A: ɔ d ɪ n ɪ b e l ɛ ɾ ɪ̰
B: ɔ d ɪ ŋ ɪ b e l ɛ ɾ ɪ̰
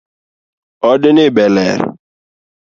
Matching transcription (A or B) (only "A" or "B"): A